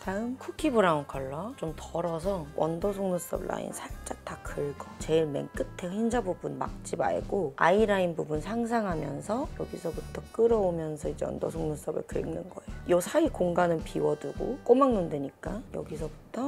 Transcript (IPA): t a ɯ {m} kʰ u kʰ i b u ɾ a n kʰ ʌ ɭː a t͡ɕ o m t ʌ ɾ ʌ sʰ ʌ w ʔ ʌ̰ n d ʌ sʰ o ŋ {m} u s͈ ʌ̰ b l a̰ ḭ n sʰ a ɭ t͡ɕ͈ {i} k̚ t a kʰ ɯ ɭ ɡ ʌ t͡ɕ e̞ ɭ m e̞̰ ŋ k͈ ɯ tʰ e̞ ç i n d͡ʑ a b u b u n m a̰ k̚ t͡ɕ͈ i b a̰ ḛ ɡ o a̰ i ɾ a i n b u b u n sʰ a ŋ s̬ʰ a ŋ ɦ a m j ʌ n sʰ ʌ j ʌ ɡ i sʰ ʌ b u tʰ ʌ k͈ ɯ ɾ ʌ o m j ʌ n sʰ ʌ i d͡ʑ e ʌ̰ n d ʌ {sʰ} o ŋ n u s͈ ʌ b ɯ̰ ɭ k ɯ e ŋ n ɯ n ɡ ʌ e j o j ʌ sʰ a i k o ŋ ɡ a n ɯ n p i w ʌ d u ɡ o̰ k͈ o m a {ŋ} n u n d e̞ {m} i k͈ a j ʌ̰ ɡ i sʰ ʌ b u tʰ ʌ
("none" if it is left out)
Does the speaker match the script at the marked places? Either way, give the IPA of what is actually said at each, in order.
m, n, a, sʰ, ŋ, ɲ

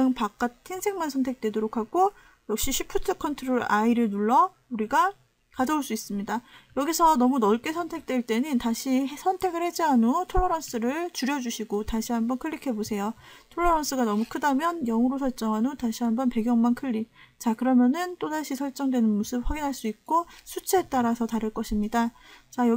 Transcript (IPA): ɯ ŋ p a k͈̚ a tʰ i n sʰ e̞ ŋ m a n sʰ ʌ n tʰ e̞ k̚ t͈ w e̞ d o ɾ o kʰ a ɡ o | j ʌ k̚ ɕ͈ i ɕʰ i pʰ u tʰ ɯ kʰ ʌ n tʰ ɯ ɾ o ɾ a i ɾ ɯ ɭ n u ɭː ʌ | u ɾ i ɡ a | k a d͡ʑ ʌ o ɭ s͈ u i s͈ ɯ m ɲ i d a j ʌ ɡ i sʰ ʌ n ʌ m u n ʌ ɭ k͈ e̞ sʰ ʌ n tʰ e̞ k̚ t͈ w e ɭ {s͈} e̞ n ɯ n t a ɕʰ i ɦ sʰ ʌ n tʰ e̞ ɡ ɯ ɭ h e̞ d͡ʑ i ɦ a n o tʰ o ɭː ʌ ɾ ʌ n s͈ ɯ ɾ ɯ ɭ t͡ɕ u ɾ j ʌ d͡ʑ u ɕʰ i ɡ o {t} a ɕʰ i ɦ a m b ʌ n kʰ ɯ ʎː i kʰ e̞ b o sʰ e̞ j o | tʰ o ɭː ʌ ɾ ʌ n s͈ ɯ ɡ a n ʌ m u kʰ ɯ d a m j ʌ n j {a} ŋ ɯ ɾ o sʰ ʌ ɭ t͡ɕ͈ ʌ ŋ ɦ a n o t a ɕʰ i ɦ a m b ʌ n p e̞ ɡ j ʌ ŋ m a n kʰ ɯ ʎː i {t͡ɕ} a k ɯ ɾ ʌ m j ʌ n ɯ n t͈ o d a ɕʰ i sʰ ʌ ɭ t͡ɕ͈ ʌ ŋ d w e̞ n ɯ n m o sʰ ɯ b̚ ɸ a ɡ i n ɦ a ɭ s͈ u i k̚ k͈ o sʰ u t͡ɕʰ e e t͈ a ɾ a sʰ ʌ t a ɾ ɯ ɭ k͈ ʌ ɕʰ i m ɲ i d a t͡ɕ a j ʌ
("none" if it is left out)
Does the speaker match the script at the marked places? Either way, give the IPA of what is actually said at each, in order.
t͈, t, ʌ, t͡ɕ

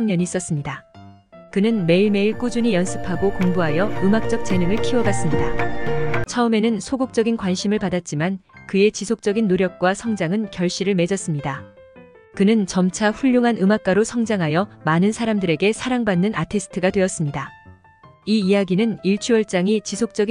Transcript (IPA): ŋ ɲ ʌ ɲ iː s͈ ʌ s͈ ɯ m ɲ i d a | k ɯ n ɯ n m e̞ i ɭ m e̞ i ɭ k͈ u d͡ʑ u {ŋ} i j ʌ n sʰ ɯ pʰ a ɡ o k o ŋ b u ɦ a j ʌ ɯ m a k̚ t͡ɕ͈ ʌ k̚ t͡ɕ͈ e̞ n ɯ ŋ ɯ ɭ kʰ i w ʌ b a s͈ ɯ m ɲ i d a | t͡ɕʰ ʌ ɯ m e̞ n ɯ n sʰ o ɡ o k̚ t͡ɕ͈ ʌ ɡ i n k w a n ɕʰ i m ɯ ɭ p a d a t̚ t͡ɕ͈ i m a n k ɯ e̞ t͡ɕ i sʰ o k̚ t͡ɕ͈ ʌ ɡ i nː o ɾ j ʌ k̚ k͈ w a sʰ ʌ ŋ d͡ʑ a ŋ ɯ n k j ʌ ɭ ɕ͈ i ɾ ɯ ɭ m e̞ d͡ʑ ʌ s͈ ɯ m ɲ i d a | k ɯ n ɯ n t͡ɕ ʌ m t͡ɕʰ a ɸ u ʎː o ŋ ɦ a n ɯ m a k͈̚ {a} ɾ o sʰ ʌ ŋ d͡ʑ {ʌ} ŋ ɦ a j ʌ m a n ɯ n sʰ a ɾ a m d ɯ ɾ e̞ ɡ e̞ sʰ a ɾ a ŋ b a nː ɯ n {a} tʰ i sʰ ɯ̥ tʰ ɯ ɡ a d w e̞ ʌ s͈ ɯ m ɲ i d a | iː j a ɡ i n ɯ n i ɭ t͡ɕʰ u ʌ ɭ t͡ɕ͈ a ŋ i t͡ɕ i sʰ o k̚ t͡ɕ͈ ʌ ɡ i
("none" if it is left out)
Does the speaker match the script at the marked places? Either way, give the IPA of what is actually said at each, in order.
ɲ, a, a, a

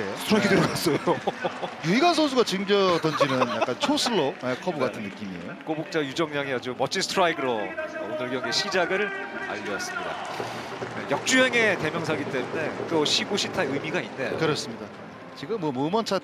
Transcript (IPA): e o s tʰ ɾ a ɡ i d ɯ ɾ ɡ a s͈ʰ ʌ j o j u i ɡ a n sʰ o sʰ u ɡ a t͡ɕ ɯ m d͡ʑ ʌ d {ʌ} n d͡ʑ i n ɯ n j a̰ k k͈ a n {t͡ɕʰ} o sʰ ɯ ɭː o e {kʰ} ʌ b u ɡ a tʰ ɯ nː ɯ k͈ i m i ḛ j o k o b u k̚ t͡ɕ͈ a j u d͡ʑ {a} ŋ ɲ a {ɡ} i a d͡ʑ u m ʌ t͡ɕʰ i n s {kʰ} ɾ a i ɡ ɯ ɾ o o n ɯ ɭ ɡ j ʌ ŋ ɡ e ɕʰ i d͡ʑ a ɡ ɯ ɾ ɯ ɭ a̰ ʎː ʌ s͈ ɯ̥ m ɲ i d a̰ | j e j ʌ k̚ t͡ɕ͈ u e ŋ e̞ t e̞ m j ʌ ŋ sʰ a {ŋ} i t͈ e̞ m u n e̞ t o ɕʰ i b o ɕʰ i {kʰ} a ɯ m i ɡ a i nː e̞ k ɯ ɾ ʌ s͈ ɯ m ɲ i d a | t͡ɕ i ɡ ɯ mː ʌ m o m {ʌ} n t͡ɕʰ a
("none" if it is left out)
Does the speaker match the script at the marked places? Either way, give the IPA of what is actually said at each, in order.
ʌ, t͡ɕʰ, kʰ, ʌ, ŋ, tʰ, ɡ, tʰ, ʌ

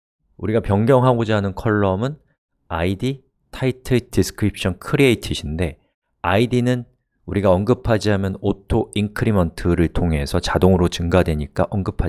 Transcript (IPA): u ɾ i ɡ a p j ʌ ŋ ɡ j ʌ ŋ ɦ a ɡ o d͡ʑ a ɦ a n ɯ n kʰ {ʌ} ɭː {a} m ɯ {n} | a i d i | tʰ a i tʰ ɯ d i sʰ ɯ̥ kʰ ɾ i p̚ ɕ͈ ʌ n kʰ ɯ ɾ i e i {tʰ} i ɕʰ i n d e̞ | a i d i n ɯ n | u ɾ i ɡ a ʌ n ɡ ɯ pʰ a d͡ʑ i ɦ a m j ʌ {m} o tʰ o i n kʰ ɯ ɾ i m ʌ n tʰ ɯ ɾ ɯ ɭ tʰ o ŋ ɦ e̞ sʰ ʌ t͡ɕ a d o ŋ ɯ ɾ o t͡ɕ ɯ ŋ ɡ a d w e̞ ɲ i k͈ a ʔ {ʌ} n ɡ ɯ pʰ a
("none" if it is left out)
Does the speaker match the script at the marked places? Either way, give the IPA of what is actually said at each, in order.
ʌ, ʌ, n, tʰ, n, ʌ

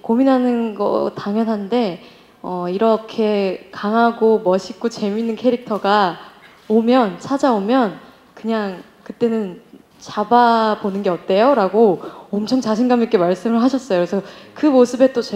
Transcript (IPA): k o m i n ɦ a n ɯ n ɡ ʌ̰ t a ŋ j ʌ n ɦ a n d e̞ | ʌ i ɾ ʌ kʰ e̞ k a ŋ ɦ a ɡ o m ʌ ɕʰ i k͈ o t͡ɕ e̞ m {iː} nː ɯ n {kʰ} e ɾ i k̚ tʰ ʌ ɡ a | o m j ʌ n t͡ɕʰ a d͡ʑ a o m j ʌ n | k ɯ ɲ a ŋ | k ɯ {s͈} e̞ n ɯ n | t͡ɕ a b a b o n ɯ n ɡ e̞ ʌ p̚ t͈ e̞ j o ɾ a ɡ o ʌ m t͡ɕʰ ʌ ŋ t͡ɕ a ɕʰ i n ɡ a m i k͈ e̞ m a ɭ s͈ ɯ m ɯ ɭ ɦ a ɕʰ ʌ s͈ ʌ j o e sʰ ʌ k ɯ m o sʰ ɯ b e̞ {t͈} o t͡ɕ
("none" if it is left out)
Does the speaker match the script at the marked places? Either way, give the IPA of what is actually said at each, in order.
i, kʰ, t͈, t͈

